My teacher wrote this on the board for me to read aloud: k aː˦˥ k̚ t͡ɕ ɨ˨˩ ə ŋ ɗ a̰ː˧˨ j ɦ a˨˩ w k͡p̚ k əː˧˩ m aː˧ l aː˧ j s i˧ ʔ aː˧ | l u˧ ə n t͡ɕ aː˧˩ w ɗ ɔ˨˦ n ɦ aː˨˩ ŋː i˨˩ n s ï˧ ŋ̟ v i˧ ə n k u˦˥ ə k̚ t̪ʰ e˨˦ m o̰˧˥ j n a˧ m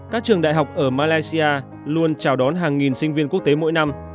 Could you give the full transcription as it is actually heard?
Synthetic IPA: k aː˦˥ k̚ t͡ɕ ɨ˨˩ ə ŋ ɗ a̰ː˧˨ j ɦ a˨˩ w k͡p̚ ʔ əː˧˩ m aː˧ l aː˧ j s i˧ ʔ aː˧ | l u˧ ə n t͡ɕ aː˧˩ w ɗ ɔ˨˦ n ɦ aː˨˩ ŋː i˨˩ n s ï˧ ŋ̟ v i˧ ə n k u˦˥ ə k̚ t̪ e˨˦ m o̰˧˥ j n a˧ m